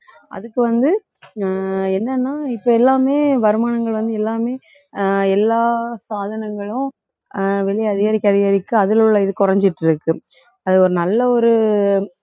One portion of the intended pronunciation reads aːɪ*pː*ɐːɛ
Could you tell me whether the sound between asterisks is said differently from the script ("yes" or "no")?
no